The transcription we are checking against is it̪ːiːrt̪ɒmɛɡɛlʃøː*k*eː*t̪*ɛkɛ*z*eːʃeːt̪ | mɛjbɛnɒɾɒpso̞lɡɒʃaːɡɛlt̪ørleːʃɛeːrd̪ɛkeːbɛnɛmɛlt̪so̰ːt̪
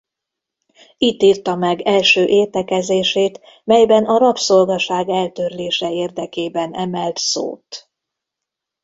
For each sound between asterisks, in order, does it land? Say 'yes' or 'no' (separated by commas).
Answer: no, yes, yes